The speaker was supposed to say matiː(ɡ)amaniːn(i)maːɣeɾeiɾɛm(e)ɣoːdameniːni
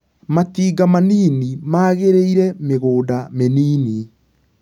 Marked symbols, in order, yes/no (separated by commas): yes, yes, yes